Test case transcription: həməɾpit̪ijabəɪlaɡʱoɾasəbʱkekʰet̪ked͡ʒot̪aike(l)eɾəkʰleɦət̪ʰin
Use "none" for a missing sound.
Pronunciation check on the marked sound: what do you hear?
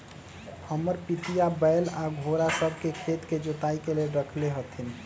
l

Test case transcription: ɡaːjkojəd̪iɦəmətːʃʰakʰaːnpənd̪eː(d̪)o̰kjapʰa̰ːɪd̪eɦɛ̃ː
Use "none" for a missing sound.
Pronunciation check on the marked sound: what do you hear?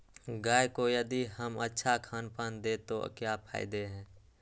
t̪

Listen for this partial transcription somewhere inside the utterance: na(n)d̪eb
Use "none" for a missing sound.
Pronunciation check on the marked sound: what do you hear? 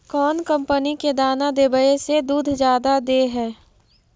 none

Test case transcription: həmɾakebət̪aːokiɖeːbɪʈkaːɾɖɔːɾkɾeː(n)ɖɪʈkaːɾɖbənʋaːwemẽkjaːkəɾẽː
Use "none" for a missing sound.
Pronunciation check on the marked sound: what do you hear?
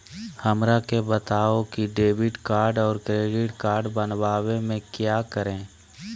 none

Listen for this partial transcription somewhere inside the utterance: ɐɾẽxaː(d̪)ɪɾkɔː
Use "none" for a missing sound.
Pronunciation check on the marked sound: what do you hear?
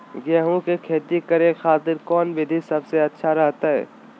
t̪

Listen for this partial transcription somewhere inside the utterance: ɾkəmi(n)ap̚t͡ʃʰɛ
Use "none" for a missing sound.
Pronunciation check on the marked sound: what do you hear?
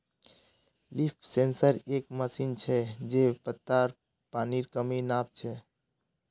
n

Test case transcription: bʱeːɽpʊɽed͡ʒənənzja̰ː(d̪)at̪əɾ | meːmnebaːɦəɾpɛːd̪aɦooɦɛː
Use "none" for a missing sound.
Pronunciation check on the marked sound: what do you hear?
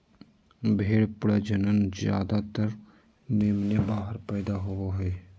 d̪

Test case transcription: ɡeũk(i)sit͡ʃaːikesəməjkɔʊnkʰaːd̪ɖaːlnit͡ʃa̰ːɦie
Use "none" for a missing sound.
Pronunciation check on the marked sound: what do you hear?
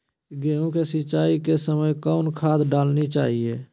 e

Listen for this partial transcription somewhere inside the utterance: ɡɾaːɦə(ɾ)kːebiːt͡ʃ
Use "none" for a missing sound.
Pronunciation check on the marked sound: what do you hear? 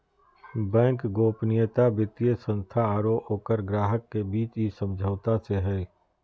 none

